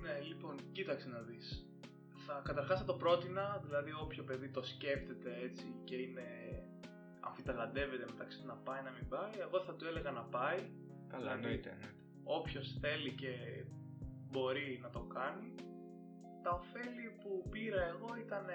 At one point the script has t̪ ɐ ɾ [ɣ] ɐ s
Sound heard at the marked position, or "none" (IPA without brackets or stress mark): x